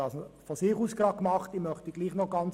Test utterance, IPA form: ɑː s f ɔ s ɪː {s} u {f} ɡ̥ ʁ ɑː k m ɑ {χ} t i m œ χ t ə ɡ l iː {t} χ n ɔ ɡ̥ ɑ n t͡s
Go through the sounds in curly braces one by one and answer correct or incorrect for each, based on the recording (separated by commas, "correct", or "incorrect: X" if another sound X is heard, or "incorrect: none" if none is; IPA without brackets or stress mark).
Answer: incorrect: χ, incorrect: s, correct, incorrect: none